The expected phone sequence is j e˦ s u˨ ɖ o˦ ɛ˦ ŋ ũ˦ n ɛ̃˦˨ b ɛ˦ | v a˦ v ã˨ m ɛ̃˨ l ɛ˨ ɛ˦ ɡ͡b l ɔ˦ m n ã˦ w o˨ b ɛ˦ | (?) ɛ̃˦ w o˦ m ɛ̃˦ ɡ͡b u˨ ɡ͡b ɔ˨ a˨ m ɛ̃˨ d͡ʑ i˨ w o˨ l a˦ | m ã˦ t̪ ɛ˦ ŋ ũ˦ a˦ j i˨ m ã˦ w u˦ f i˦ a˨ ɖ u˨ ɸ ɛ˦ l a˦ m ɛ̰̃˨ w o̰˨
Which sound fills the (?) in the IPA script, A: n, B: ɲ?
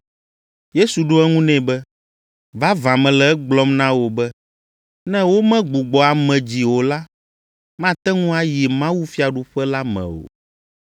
A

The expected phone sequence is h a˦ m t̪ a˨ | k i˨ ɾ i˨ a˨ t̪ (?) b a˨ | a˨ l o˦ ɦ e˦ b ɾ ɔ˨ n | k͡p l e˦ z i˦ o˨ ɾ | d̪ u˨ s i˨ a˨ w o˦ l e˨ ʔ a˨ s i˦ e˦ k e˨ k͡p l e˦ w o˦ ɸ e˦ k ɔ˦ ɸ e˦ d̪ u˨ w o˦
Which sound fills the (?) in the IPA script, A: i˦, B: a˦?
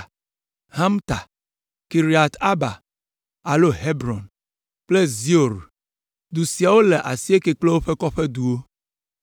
B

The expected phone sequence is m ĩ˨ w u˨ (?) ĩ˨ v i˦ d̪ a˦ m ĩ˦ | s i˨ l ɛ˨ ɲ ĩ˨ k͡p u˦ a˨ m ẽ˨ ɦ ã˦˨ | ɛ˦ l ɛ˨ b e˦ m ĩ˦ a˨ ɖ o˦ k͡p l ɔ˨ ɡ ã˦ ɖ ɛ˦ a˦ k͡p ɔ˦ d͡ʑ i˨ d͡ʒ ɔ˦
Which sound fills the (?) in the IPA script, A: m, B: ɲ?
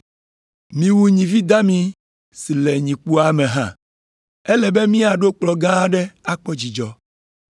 B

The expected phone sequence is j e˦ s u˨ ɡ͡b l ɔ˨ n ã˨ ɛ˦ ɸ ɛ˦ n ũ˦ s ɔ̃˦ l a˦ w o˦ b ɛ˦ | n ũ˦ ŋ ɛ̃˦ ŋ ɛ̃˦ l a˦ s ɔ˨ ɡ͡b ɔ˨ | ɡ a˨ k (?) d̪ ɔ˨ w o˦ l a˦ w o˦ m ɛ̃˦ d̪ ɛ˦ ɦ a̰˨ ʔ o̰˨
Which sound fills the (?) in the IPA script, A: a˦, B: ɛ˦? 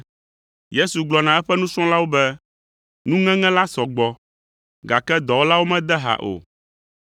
B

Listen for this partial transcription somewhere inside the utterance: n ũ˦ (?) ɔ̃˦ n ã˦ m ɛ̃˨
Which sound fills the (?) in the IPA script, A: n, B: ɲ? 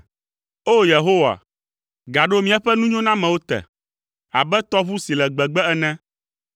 B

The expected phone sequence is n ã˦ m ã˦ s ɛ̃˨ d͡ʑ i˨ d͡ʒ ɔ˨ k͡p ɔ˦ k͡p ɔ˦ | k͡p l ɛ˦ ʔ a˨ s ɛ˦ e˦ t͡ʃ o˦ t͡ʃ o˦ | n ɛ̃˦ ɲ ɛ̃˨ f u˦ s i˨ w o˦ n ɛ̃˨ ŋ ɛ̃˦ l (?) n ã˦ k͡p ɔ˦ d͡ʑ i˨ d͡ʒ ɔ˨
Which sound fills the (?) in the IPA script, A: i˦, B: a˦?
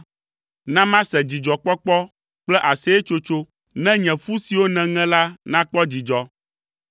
B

